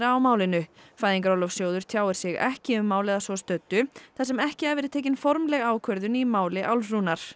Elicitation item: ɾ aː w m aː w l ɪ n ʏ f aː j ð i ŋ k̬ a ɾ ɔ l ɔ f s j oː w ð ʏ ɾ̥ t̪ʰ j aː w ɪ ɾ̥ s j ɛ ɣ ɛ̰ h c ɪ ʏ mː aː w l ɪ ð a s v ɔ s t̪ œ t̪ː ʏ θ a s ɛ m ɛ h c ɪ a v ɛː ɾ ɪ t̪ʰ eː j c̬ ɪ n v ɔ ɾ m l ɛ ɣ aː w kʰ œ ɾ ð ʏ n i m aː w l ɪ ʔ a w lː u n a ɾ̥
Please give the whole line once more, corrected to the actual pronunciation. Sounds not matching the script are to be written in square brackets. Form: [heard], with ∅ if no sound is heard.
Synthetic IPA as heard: ɾ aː w m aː w l ɪ n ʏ f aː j ð i ŋ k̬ a ɾ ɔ l ɔ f s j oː w ð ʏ ɾ̥ t̪ʰ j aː w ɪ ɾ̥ s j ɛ ɣ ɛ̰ h c ɪ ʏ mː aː w l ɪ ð a s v ɔ s t̪ œ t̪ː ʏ θ a s ɛ m ɛ h c ɪ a v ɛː ɾ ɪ t̪ʰ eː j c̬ ɪ n [f] ɔ ɾ m l ɛ ɣ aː w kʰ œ ɾ ð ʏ n i m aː w l ɪ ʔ a w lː u n a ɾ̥